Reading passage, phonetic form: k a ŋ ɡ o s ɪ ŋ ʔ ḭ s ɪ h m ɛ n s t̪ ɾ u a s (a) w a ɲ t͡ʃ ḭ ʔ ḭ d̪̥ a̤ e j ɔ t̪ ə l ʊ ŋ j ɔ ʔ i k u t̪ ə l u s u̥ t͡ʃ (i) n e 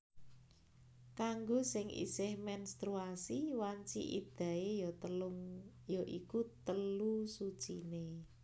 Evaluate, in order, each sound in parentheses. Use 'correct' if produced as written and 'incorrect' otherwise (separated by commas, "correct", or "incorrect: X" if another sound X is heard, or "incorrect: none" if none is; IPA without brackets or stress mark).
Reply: incorrect: i, correct